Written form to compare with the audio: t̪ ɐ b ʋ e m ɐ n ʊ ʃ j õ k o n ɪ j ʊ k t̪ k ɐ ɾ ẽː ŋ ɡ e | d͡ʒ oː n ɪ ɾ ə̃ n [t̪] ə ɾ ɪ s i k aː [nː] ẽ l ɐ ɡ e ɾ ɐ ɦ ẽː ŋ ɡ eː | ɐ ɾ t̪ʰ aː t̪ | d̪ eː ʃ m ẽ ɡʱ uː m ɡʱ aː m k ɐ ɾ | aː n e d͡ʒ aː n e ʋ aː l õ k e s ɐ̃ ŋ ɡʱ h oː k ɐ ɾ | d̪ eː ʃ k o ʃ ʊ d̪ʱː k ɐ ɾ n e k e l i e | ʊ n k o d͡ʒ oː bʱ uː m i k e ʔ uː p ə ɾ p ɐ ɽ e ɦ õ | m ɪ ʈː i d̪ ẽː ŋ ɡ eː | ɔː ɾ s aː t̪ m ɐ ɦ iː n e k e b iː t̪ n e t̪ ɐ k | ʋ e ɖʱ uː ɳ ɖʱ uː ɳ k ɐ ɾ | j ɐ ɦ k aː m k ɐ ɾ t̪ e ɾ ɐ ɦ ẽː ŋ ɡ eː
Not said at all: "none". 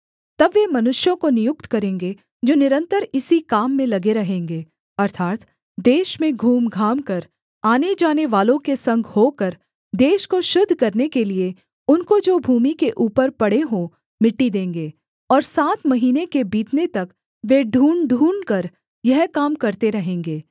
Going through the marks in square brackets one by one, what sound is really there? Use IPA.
t̪, mː

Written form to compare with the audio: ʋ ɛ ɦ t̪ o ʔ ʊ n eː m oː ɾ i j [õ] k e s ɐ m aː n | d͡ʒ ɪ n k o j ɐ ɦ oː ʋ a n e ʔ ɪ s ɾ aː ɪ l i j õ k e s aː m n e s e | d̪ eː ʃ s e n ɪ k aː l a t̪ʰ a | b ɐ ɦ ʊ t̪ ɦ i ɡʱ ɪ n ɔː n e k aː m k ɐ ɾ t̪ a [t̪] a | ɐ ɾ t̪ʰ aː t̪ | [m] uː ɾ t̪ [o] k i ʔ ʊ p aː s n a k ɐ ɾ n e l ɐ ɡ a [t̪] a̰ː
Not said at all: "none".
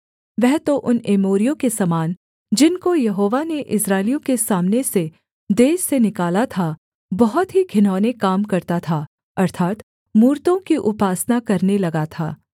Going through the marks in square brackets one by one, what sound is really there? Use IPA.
õ, t̪ʰ, m, õ, t̪ʰ

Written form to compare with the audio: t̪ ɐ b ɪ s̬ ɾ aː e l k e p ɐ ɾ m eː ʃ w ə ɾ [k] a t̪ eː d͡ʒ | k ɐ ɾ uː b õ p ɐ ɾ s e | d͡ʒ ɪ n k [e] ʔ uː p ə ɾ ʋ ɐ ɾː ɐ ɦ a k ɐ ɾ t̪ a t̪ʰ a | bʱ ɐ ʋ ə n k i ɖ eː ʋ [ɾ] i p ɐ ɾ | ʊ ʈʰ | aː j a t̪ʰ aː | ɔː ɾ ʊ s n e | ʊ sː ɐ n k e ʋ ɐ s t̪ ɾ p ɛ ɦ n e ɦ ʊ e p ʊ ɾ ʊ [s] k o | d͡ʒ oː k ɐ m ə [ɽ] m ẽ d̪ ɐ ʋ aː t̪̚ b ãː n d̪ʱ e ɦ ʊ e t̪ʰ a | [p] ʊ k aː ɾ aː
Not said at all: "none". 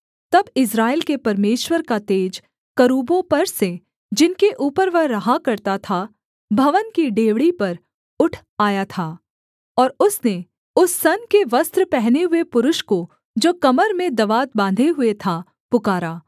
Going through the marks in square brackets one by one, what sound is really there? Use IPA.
k, e, ɽ, ʃ, ɾ, p

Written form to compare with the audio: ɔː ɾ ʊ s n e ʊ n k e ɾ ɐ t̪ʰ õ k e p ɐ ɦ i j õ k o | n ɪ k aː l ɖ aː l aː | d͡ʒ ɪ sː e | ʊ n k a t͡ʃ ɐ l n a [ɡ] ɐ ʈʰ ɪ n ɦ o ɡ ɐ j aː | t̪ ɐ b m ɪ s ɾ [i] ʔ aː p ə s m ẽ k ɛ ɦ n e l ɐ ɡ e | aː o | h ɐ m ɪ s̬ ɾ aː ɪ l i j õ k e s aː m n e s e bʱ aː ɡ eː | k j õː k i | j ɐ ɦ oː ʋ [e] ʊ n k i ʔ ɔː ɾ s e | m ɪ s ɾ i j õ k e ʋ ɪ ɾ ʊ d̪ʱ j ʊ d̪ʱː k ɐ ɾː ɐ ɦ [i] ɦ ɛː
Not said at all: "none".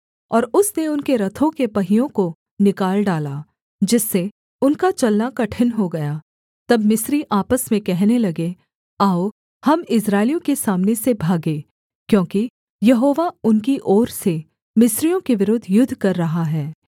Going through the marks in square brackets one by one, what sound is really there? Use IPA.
k, i, a, a

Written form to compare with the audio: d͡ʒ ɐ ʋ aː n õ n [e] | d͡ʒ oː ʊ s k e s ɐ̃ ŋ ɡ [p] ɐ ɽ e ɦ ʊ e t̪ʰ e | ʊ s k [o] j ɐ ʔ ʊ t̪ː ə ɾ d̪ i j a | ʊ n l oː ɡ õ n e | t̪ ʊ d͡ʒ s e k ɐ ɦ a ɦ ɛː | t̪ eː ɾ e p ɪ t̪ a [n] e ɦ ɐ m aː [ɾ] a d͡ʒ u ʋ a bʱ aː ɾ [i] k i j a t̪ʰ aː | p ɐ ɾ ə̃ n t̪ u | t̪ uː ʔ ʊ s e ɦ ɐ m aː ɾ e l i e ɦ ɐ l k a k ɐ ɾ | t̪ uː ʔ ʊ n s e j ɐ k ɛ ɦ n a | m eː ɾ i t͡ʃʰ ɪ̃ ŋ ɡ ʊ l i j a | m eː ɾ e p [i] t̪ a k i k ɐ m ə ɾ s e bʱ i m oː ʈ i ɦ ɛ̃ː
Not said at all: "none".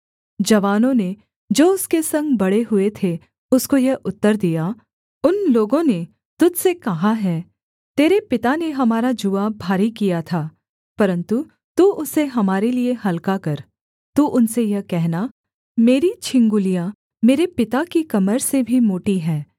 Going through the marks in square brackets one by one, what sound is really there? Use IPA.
e, b, o, n, ɾ, i, ɪ

